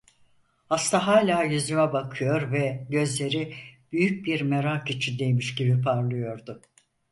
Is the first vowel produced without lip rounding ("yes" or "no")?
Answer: yes